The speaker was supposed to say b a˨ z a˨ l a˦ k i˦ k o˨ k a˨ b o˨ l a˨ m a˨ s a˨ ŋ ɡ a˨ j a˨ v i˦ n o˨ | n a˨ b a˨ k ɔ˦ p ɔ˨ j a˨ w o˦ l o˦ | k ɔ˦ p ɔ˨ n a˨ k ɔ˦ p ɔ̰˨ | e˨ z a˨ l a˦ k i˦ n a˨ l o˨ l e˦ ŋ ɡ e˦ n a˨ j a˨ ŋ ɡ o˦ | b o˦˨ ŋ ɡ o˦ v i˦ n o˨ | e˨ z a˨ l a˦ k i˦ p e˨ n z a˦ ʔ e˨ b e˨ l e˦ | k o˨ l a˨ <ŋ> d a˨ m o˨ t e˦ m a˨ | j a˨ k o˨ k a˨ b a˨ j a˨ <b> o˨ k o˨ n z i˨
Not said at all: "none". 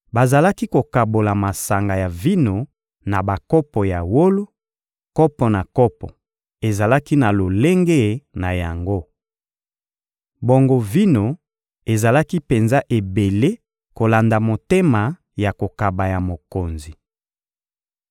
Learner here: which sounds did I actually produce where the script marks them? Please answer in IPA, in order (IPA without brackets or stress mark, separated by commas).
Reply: n, m